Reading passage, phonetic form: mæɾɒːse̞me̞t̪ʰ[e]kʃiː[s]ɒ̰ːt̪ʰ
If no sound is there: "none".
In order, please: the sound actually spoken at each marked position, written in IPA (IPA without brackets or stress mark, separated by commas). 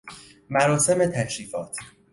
æ, f